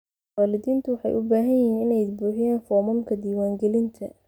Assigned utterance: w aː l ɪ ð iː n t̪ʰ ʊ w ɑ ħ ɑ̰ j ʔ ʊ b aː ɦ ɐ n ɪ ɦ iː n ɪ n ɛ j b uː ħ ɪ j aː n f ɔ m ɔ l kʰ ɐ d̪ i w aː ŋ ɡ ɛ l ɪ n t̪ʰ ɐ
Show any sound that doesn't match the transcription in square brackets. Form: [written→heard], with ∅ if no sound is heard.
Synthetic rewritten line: w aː l ɪ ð iː n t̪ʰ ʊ w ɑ ħ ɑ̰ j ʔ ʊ b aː ɦ ɐ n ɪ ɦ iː n ɪ n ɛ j b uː ħ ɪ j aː n f ɔ m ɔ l kʰ ɐ d̪ [i→iː] w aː ŋ ɡ ɛ l ɪ n t̪ʰ ɐ